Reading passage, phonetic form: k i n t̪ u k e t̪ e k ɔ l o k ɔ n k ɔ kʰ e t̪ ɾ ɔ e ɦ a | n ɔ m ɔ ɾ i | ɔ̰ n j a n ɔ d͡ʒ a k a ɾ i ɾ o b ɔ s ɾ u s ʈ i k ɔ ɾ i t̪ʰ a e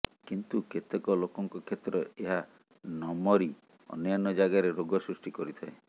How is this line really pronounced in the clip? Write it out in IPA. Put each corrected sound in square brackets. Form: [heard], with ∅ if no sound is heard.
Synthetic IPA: k i n t̪ u k e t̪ e k ɔ l o k ɔ [ŋ] k ɔ kʰ e t̪ ɾ ɔ e ɦ a | n ɔ m ɔ ɾ i | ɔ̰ n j a n ɔ d͡ʒ a [ɡ] a ɾ [e] ɾ o [ɡ] ɔ s ɾ u s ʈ i k ɔ ɾ i t̪ʰ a e

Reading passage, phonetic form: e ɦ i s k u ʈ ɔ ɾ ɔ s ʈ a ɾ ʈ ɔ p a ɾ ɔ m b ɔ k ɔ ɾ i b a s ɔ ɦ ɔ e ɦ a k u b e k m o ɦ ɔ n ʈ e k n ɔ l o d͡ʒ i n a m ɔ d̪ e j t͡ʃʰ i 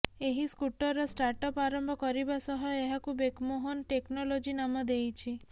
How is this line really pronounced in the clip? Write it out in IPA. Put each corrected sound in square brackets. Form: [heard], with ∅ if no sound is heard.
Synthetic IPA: e ɦ i s k u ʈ ɔ ɾ ɔ s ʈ a ɾ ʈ ɔ p a ɾ ɔ m b ɔ k ɔ ɾ i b a s ɔ ɦ ɔ e ɦ a k u b e k m o ɦ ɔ n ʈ e k n ɔ l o d͡ʒ i n a m ɔ d̪ e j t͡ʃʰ i

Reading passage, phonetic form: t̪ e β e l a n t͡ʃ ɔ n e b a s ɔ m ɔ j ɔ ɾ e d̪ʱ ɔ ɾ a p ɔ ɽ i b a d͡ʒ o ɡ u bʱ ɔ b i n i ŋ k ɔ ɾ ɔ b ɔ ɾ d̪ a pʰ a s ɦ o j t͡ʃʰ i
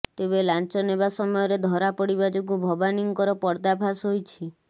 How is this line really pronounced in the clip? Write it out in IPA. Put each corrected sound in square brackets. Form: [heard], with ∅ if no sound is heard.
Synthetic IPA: t̪ e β e l a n t͡ʃ ɔ n e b a s ɔ m ɔ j ɔ ɾ e d̪ʱ ɔ ɾ a p ɔ ɽ i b a d͡ʒ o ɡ u bʱ ɔ b [a] n i ŋ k ɔ ɾ ɔ [p] ɔ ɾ d̪ a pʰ a s ɦ o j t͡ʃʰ i

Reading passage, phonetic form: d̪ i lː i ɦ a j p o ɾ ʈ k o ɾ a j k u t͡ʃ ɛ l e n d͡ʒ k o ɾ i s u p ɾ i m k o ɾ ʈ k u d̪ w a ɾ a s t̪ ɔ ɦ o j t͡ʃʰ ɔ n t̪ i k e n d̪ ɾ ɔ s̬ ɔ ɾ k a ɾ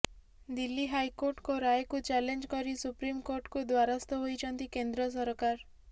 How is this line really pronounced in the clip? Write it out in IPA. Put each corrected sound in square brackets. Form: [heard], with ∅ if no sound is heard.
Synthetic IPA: d̪ i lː i ɦ a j [k] o ɾ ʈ k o ɾ a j k u t͡ʃ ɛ l e n d͡ʒ k [ɔ] ɾ i s u p ɾ i m k o ɾ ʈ k u d̪ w a ɾ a s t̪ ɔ ɦ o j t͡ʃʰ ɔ n t̪ i k e n d̪ ɾ ɔ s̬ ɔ ɾ k a ɾ

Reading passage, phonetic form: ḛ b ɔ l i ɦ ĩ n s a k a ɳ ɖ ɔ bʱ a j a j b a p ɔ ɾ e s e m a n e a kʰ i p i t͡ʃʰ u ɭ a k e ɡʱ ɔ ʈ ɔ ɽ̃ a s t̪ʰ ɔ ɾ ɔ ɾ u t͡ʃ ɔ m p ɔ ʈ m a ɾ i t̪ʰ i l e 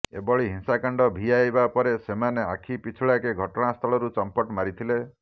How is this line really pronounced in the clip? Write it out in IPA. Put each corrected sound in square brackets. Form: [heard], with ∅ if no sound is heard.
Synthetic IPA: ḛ b ɔ [ɭ] i ɦ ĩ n s a k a ɳ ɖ ɔ bʱ [i] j a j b a p ɔ ɾ e s e m a n e a kʰ i p i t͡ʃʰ u ɭ a k e ɡʱ ɔ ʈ ɔ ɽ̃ a s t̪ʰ ɔ [ɭ] ɔ ɾ u t͡ʃ ɔ m p ɔ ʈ m a ɾ i t̪ʰ i l e

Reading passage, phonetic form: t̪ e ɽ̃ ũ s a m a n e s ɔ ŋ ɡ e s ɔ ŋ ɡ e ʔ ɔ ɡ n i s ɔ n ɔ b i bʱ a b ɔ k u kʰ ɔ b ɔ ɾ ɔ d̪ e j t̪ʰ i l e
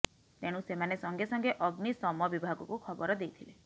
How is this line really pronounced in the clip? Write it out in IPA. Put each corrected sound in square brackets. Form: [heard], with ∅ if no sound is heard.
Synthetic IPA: t̪ e ɽ̃ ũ s [e] m a n e s ɔ ŋ ɡ e s ɔ ŋ ɡ e ʔ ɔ ɡ n i s ɔ [m] ɔ b i bʱ a [ɡ] ɔ k u kʰ ɔ b ɔ ɾ ɔ d̪ e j t̪ʰ i l e

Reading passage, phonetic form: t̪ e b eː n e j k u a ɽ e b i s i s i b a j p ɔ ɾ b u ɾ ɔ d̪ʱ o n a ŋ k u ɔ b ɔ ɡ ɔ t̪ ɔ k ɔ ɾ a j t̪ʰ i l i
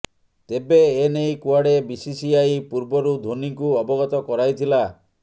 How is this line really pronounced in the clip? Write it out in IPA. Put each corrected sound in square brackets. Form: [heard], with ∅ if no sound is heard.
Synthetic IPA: t̪ e b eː n e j k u a ɽ e b i s i s i [∅] a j p [u] ɾ b [ɔ] ɾ [u] d̪ʱ o n [i] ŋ k u ɔ b ɔ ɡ ɔ t̪ ɔ k ɔ ɾ a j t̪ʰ i l [a]

